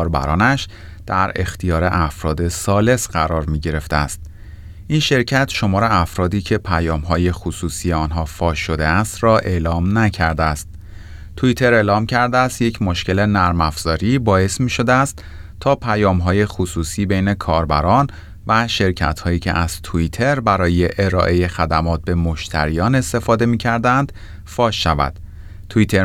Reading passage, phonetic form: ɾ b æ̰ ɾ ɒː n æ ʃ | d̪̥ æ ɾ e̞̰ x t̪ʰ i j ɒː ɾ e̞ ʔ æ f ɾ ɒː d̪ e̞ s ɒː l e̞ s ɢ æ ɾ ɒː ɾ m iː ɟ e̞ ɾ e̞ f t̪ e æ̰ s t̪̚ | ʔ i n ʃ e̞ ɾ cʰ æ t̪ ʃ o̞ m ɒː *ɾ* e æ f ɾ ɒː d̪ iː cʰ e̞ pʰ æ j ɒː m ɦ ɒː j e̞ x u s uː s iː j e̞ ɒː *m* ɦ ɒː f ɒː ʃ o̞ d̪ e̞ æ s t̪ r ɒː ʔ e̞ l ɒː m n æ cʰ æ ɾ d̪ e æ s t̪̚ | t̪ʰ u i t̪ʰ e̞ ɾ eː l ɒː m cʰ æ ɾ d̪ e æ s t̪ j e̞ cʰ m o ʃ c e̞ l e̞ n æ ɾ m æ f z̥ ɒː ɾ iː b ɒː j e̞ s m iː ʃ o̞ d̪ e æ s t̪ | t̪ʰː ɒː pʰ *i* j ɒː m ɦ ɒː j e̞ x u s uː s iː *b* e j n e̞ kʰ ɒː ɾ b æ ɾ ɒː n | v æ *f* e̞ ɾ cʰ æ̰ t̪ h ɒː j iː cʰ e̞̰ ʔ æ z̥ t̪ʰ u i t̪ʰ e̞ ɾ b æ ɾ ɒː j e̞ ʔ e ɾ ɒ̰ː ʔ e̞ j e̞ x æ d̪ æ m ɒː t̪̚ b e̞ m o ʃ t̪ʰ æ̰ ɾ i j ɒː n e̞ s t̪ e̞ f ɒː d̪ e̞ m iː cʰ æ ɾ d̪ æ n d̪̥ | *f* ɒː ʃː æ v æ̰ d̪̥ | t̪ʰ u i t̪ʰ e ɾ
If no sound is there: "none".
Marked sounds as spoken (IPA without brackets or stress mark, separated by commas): ɾ, n, æ, b, ʃ, f